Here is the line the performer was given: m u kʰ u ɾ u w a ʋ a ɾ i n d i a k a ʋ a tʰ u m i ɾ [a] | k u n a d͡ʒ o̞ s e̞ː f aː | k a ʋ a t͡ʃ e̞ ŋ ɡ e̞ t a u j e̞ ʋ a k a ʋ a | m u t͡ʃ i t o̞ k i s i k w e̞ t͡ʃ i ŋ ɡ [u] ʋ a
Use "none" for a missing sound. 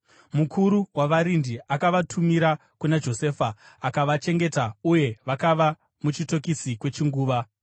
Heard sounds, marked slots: a, uː

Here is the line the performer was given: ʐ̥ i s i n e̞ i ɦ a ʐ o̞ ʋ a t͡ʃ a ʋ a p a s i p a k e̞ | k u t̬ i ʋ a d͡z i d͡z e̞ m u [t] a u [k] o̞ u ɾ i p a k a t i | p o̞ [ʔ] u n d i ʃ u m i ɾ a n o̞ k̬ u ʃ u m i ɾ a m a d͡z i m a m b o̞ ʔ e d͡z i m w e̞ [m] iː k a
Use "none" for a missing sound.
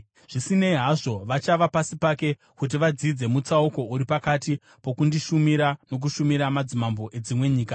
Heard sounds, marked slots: t͡s, k, k, ɲ

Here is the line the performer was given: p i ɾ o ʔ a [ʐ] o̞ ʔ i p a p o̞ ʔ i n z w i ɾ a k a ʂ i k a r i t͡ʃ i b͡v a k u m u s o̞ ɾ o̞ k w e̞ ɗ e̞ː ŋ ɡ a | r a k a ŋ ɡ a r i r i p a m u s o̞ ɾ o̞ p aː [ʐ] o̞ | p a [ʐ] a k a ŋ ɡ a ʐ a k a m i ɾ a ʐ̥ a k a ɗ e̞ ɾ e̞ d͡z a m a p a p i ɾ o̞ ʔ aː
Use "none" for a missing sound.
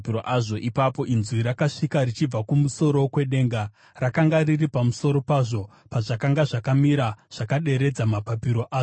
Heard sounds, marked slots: ʐ, ʐ, ʐ

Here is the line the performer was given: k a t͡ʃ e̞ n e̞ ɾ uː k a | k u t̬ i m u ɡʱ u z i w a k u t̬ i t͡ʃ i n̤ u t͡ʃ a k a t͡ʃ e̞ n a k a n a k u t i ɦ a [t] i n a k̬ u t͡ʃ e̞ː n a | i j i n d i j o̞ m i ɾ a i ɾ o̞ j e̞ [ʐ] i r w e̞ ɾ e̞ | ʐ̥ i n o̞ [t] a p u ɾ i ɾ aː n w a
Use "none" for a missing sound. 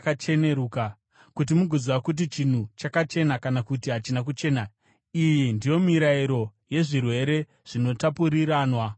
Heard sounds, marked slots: t͡ʃ, ʐ, t

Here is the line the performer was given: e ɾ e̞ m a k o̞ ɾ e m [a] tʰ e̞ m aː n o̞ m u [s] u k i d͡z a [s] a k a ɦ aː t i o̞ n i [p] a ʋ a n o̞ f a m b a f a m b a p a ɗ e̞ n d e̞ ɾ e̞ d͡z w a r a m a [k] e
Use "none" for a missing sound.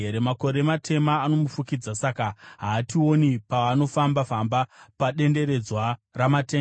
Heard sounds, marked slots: a, f, s, p, t

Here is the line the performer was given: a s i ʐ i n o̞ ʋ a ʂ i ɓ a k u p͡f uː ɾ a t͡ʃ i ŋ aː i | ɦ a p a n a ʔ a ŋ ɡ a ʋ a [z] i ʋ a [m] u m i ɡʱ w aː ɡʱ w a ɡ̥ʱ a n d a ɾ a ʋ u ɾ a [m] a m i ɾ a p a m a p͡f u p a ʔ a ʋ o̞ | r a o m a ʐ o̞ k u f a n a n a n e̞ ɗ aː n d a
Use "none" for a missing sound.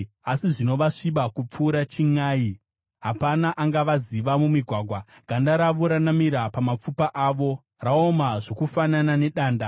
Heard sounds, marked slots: z, m, n

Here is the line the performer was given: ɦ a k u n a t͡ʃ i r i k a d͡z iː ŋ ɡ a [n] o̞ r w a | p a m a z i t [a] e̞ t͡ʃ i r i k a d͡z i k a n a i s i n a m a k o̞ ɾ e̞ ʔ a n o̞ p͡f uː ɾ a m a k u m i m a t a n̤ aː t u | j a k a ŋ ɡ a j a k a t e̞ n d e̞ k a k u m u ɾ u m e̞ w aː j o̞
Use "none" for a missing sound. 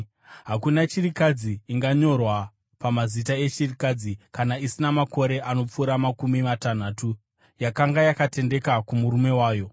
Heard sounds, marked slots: ɲ, a

